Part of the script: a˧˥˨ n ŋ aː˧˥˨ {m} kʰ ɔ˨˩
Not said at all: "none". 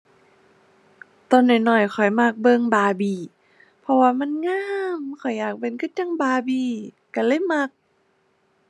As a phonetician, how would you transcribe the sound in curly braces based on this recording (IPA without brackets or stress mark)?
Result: m